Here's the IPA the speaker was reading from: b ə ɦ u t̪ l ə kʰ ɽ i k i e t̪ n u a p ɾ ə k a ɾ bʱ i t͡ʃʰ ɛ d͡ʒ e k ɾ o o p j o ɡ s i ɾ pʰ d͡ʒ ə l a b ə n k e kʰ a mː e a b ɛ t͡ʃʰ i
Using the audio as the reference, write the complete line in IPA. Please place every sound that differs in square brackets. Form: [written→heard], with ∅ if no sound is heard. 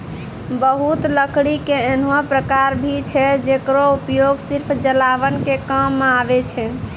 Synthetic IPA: b ə ɦ u t̪ l ə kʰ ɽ i k [i→e] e [t̪→∅] n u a p ɾ ə k a ɾ bʱ i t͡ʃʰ ɛ d͡ʒ e k ɾ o [o→u] p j o ɡ s i ɾ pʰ d͡ʒ ə l a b ə n k e [kʰ→k] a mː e a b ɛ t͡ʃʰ [i→ɛ]

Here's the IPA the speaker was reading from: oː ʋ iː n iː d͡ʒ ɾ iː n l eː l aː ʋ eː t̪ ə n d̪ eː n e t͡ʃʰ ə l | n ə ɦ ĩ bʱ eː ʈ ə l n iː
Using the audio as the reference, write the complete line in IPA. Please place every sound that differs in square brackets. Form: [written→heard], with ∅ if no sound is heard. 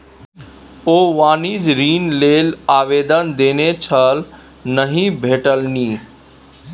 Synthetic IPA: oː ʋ [iː→aː] n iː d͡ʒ ɾ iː n l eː l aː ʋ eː [t̪→d̪] ə n d̪ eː n e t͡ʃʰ ə l | n ə ɦ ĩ bʱ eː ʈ ə l n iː

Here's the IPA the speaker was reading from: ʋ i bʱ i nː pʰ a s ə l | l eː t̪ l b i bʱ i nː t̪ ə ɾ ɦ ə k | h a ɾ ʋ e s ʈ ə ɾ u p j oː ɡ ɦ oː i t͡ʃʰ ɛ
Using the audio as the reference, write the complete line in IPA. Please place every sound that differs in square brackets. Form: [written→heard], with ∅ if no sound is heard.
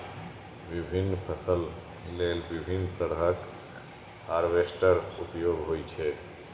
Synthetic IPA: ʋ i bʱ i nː pʰ [a→ə] s ə l | l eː [t̪→∅] l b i bʱ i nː t̪ ə ɾ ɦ ə k | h a ɾ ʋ e s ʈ ə ɾ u p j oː ɡ ɦ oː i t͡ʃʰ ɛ

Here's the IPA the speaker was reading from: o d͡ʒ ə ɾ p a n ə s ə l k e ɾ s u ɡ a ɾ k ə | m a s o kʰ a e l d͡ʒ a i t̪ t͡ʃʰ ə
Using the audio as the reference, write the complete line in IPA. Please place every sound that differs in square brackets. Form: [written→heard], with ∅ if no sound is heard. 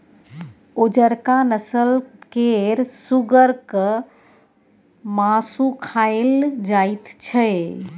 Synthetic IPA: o d͡ʒ ə ɾ [p→k] a n ə s ə l k e ɾ s u ɡ [a→ə] ɾ k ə | m a s [o→u] kʰ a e l d͡ʒ a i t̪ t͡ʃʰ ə

